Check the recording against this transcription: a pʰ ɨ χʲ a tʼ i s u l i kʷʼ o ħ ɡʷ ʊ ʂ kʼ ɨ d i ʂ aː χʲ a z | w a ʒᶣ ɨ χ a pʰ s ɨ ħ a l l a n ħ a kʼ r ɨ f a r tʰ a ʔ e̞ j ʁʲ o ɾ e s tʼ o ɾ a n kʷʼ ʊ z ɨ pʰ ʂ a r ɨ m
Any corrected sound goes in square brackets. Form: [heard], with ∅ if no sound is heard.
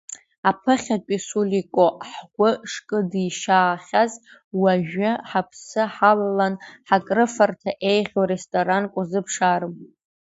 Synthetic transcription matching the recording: a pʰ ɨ χʲ a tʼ i s u l i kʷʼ o ħ ɡʷ ʊ ʂ kʼ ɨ d i [ʃ] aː χʲ a z | w a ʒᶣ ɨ [ħ] a pʰ s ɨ ħ a l l a n ħ a kʼ r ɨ f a r tʰ a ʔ e̞ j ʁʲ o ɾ e s tʼ o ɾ a n kʷʼ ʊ z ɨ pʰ ʂ a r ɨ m